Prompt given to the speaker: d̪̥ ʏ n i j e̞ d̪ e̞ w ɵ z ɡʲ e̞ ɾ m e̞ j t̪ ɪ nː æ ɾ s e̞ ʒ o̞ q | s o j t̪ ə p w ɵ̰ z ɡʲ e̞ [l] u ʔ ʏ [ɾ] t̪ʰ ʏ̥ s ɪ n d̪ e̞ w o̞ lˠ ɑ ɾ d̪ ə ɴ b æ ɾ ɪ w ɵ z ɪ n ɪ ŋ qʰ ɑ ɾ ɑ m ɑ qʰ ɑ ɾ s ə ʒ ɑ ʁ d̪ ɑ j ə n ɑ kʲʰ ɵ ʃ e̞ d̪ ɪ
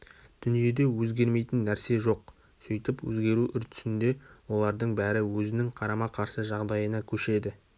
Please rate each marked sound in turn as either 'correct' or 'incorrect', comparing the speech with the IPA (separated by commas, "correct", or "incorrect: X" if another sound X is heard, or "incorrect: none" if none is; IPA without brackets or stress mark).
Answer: incorrect: ɾ, correct